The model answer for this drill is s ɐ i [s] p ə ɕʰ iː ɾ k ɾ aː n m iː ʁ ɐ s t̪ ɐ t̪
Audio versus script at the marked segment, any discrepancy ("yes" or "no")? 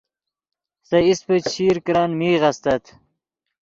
no